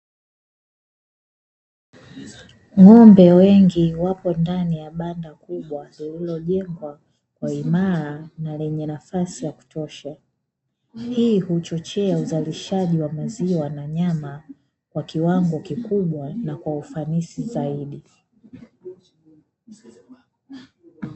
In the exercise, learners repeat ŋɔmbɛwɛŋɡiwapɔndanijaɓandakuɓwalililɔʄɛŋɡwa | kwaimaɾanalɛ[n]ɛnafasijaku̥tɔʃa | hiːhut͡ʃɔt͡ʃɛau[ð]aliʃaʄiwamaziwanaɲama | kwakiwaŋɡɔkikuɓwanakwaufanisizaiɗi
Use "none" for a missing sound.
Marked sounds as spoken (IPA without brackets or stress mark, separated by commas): ɲ, z